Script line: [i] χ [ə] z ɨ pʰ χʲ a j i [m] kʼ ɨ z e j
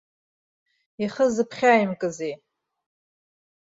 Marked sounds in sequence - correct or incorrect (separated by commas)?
correct, correct, correct